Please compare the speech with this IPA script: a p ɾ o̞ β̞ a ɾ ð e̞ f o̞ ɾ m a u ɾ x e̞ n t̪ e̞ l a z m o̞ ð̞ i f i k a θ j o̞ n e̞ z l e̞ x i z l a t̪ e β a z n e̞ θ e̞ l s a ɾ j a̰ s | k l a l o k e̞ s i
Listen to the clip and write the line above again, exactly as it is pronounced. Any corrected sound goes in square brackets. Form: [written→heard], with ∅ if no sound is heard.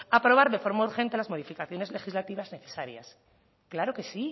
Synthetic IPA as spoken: a p ɾ o̞ β̞ a ɾ ð e̞ f o̞ ɾ m a u ɾ x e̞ n t̪ e̞ l a z m o̞ ð̞ i f i k a θ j o̞ n e̞ z l e̞ x i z l a t̪ [e→i] β a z n e̞ θ e̞ [l→∅] s a ɾ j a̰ s | k l a [l→ɾ] o k e̞ s i